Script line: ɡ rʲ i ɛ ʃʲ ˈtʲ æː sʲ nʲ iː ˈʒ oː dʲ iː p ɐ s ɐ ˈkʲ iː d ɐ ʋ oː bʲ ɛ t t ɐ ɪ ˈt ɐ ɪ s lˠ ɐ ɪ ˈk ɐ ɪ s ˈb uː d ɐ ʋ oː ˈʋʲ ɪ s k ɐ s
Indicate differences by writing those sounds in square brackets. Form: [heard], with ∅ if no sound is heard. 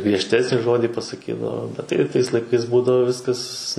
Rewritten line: ɡ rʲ i ɛ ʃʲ ˈtʲ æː sʲ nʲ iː ˈʒ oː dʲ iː p ɐ s ɐ ˈkʲ iː d ɐ ʋ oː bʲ ɛ t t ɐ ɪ ˈt ɐ ɪ s lˠ ɐ ɪ ˈk ɐ ɪ s ˈb uː d ɐ ʋ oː ˈʋʲ ɪ s k ɐ s

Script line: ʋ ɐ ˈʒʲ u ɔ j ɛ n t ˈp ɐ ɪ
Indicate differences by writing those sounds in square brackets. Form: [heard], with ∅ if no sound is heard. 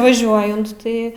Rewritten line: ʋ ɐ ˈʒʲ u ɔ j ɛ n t [ˈt] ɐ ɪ

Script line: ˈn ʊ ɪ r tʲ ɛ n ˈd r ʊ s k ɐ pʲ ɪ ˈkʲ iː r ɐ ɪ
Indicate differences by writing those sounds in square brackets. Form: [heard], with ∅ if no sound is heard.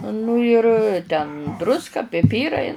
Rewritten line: ˈn ʊ ɪ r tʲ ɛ n ˈd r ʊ s k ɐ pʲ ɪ [ˈpʲ] iː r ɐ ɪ

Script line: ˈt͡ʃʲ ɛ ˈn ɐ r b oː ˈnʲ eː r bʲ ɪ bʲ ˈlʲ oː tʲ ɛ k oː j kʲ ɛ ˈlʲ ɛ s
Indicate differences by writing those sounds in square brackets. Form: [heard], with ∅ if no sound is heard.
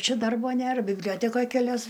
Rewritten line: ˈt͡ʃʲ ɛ [ˈd] ɐ r b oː ˈnʲ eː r bʲ ɪ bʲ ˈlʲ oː tʲ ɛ k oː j kʲ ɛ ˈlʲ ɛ s

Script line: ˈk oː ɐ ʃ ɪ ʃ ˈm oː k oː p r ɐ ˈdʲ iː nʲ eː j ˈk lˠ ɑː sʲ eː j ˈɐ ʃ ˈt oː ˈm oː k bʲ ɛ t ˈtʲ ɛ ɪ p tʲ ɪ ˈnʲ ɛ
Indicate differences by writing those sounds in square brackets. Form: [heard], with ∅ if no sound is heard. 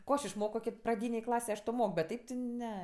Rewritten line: ˈk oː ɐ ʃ ɪ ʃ ˈm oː k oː p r ɐ ˈdʲ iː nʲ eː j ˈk lˠ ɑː sʲ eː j ˈɐ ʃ ˈt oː ˈm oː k bʲ ɛ t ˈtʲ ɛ ɪ p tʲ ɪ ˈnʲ ɛ

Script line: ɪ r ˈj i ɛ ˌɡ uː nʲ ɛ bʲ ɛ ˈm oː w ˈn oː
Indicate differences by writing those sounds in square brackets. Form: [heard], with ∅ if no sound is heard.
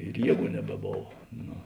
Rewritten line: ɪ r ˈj i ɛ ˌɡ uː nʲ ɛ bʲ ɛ [ˈb] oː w ˈn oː

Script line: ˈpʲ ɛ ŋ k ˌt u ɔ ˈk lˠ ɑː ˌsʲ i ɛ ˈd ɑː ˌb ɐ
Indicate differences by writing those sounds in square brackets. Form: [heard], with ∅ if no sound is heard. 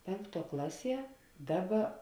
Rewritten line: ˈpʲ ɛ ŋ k ˌt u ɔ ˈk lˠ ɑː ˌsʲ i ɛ ˈd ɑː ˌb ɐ

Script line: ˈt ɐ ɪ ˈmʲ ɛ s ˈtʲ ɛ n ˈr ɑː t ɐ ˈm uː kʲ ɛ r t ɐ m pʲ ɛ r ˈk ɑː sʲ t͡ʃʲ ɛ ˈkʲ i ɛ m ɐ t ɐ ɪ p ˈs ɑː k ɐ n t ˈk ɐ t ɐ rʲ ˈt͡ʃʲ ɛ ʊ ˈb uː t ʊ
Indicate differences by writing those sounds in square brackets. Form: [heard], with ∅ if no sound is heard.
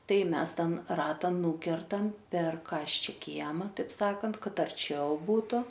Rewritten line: ˈt ɐ ɪ ˈmʲ ɛ s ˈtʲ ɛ n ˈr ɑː t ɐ [ˈn] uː kʲ ɛ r t ɐ m pʲ ɛ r ˈk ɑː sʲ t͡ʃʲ ɛ ˈkʲ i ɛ m ɐ t ɐ ɪ p ˈs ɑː k ɐ n t ˈk ɐ t ɐ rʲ ˈt͡ʃʲ ɛ ʊ ˈb uː t ʊ

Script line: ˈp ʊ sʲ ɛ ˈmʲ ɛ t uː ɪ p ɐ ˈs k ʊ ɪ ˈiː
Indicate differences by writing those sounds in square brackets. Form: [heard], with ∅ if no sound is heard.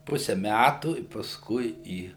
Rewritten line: ˈp ʊ sʲ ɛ ˈmʲ [æ] t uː ɪ p ɐ ˈs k ʊ ɪ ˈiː

